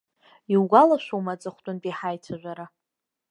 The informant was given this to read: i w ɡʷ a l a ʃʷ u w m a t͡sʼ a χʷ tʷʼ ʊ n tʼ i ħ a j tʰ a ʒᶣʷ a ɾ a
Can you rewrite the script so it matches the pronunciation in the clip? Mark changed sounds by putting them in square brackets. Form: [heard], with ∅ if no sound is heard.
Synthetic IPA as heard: i w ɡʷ a l a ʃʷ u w m a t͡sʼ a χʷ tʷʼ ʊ n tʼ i ħ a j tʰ a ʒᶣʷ a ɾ a